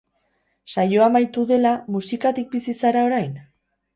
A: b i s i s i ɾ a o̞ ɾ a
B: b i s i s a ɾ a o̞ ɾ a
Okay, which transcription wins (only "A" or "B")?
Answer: B